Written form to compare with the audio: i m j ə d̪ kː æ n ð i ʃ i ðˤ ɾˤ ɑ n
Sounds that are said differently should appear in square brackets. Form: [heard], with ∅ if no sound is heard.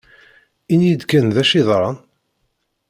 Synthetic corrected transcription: i [n] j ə d̪ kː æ n ð [æ] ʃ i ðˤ ɾˤ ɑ n